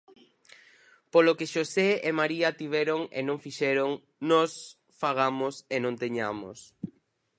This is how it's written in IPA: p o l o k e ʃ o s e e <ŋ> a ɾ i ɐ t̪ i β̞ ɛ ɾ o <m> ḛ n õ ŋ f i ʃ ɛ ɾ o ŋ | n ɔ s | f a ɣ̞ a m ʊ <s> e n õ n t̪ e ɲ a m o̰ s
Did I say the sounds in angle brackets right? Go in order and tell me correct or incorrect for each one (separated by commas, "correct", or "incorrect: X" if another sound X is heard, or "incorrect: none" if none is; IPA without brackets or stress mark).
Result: incorrect: m, incorrect: ŋ, correct